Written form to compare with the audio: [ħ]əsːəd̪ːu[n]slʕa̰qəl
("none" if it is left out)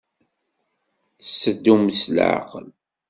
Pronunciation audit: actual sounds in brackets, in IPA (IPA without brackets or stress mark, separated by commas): θ, m